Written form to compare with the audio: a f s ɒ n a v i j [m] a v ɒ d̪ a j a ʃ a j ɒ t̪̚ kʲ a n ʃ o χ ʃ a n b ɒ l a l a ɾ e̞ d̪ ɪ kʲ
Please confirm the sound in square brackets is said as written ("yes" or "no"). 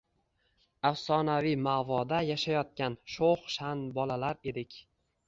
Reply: yes